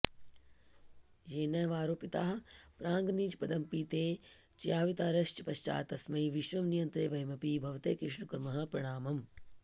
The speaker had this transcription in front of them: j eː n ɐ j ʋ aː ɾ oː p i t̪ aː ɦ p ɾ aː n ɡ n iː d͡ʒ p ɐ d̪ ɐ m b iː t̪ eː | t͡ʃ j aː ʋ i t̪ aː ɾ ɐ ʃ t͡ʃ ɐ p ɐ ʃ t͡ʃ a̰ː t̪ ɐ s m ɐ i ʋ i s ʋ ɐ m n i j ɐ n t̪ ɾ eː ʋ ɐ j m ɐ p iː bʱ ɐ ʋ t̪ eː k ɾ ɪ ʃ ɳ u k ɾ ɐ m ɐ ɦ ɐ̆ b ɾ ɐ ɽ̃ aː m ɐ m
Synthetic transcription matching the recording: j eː n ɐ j ʋ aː ɾ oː p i t̪ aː ɦ p ɾ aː ŋ ɡ n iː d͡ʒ p ɐ d̪ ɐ m p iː t̪ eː | t͡ʃ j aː ʋ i t̪ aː ɾ ɐ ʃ t͡ʃ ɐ p ɐ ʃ t͡ʃ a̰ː t̪ ɐ s m ɐ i ʋ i ʃ ʋ ɐ m n i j ɐ n t̪ ɾ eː ʋ ɐ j m ɐ p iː bʱ ɐ ʋ t̪ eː k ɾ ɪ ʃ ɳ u k ɾ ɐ m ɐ ɦ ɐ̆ p ɾ ɐ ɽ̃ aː m ɐ m